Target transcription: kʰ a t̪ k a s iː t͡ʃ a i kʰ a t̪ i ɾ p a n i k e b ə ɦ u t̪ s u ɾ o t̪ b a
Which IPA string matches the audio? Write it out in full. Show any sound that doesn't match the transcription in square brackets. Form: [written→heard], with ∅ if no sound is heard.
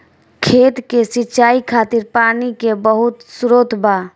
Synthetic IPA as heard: kʰ [a→e] t̪ k [a→e] s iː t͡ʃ a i kʰ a t̪ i ɾ p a n i k e b ə ɦ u t̪ s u ɾ o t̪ b a